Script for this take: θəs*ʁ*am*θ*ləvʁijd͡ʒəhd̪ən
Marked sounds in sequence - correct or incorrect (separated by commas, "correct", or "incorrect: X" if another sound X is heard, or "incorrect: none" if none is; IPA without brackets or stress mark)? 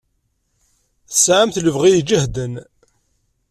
incorrect: ʕ, correct